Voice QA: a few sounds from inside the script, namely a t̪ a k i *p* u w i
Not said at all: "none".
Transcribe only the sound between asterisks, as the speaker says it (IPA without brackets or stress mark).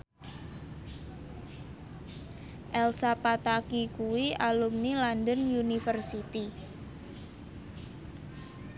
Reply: k